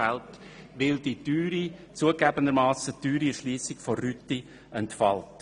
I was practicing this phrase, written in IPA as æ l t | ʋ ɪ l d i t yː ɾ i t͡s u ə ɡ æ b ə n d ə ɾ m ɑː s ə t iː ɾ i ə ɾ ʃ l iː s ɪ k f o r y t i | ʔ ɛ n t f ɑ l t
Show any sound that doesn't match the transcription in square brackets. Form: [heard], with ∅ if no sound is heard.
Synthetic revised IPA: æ l t | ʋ ɪ l d i t yː ɾ i t͡s u ə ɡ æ b ə n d ə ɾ m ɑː s ə t [yː] ɾ i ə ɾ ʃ l iː s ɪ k f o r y t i | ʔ ɛ n t f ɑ l t